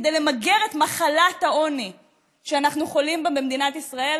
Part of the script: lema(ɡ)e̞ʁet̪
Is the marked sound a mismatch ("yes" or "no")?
no